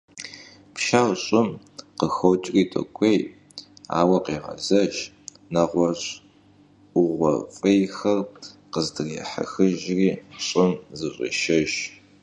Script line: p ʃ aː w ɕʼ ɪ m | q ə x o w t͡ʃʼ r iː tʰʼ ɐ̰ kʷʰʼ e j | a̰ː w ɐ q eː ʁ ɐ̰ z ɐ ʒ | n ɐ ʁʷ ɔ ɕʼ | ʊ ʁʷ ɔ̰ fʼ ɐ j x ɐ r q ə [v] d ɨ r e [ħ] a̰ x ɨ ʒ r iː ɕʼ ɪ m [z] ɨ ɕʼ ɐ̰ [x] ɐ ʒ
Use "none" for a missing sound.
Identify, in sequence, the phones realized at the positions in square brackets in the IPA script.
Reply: z, ħ, z, ʃ

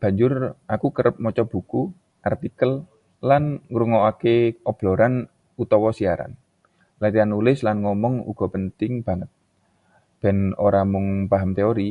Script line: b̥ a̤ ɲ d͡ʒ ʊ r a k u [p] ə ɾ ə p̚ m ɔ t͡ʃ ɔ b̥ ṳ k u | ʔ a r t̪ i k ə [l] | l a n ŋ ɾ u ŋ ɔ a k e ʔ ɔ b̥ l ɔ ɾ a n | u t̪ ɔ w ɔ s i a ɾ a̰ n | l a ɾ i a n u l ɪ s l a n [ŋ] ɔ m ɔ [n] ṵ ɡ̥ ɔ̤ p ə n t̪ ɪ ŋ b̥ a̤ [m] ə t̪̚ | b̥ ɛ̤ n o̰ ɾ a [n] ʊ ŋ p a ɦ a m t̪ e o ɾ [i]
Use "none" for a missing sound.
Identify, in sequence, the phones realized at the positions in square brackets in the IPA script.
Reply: k, l, ŋ, ŋ, ŋ, m, i

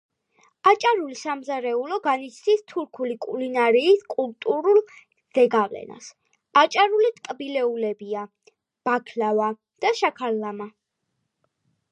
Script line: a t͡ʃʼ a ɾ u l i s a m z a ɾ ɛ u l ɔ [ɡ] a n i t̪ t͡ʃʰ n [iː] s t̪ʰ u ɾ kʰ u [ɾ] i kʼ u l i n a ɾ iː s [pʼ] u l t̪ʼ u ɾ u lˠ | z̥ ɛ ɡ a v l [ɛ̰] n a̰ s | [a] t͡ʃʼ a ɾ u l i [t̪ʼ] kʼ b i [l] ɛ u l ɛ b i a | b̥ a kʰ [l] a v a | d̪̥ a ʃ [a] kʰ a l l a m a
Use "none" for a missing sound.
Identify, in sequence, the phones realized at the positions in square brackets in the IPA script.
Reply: ɡ, i, l, kʼ, ɛ̰, a, t̪ʼ, l, l, a

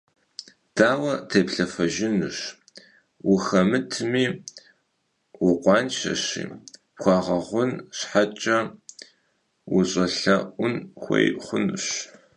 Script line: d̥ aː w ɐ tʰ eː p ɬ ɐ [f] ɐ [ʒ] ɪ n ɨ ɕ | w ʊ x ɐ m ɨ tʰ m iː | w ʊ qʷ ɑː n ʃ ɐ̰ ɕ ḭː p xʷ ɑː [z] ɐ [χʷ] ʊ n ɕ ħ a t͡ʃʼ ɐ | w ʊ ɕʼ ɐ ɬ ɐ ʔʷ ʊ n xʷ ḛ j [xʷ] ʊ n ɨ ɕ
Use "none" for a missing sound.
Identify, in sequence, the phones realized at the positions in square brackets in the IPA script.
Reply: f, ʒ, ʁ, ʁʷ, χʷ

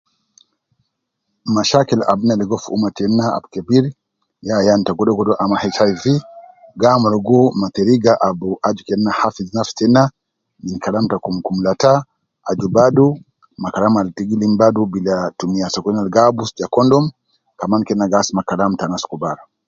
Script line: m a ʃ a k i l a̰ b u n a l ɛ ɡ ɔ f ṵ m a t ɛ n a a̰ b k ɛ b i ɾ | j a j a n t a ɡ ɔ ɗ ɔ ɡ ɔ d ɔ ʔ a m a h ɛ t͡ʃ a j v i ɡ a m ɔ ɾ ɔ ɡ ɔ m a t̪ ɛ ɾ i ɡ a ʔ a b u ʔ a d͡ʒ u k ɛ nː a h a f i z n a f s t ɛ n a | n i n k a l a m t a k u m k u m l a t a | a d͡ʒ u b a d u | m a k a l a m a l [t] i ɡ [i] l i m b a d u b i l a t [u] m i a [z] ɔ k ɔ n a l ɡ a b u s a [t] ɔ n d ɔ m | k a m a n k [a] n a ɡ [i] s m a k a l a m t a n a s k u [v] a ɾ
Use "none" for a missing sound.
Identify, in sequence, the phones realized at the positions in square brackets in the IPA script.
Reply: t, i, u, s, k, ɛ, a, b

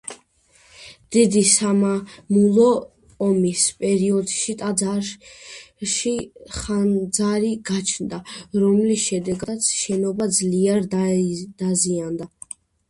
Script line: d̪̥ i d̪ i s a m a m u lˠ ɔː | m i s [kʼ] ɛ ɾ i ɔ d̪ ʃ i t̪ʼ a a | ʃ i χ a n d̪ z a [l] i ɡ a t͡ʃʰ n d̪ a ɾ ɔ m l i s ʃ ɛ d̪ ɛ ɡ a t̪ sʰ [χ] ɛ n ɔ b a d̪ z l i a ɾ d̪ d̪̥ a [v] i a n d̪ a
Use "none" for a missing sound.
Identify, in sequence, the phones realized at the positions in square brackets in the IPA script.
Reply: pʼ, ɾ, ʃ, z

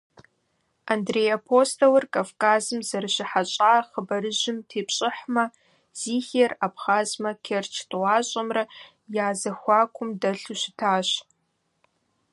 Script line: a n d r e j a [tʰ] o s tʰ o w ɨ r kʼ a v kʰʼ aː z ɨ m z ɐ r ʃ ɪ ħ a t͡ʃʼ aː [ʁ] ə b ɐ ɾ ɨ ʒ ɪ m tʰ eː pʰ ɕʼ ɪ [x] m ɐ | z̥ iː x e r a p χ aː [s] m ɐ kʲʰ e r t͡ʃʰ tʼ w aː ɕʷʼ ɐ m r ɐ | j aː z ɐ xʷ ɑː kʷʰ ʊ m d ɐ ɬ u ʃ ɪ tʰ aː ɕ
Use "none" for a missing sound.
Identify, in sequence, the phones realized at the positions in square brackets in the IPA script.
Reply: pʰ, χ, ħ, z

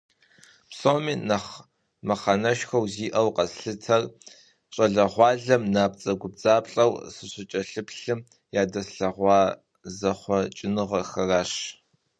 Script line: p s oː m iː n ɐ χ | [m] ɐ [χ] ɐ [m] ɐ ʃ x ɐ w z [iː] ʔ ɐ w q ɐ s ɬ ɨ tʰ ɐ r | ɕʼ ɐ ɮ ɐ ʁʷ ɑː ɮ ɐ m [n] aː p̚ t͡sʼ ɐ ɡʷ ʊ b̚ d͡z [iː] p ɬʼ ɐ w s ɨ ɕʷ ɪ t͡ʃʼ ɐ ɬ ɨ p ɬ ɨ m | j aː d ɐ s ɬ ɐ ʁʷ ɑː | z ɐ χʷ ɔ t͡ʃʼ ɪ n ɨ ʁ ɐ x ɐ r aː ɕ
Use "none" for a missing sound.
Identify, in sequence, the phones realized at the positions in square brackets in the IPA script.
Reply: m, χ, n, iː, n, aː

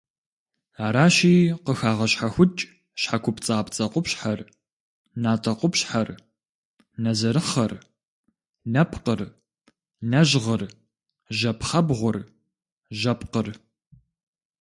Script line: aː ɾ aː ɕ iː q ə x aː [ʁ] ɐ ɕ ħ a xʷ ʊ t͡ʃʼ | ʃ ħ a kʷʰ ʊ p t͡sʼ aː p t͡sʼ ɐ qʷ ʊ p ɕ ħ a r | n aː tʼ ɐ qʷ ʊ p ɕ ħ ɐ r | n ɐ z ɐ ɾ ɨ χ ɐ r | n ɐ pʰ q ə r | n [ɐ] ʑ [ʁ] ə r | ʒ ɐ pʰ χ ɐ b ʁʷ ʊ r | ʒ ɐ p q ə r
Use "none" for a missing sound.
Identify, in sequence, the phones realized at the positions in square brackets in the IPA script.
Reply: ʁ, ɐ, ʁ

